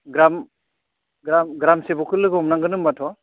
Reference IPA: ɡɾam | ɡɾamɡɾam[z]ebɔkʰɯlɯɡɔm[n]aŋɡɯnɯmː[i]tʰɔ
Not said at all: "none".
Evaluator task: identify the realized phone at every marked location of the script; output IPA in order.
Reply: s, n, a

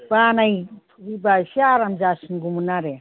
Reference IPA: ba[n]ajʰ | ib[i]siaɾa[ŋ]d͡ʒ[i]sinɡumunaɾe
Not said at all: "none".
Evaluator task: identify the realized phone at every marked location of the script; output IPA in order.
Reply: n, a, m, a

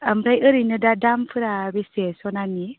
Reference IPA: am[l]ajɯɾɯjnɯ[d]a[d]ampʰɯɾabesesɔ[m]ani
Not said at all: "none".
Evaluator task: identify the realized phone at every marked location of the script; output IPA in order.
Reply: ɾ, d, d, n

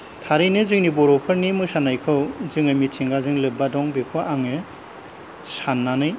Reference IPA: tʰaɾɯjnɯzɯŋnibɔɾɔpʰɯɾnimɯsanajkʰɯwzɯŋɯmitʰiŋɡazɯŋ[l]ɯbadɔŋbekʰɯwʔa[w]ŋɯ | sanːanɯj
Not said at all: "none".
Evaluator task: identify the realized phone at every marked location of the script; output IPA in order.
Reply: l, none

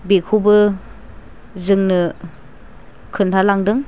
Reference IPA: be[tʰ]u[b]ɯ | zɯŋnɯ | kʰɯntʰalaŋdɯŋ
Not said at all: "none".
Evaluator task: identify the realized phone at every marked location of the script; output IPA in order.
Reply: kʰ, b

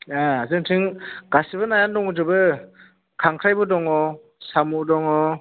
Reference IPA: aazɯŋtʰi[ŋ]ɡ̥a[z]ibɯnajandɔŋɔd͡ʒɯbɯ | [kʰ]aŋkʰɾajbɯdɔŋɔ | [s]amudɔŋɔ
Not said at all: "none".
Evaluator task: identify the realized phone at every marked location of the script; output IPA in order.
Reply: ŋ, s, kʰ, s

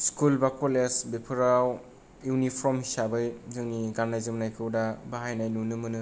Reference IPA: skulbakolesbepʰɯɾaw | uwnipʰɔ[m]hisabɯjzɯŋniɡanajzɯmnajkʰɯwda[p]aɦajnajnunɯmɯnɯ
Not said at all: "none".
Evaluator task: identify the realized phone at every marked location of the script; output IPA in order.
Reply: m, b

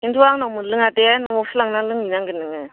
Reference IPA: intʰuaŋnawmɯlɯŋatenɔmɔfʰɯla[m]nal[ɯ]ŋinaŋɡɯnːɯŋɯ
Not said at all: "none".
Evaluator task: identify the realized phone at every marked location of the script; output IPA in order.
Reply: ŋ, ɯ

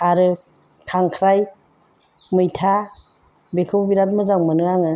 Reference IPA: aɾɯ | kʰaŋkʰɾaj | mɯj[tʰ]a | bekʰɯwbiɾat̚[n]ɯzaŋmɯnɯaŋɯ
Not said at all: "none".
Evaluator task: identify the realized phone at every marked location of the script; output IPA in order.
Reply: tʰ, m

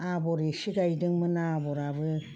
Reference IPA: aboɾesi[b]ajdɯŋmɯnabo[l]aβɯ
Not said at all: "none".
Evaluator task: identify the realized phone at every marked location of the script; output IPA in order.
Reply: ɡ, ɾ

